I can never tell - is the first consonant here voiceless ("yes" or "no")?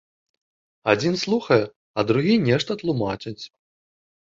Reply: no